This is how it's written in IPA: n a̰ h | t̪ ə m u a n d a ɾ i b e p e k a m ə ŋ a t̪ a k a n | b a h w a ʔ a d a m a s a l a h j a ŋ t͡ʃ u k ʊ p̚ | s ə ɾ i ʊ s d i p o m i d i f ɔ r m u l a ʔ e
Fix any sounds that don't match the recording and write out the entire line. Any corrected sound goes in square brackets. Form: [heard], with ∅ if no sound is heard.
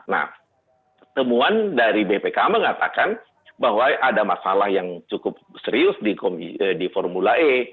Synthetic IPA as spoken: n a̰ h | t̪ ə m u a n d a ɾ i b e p e k a m ə ŋ a t̪ a k a n | b a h w a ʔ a d a m a s a l a h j a ŋ t͡ʃ u k ʊ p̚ | s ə ɾ i ʊ s d i [k] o m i d i f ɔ r m u l a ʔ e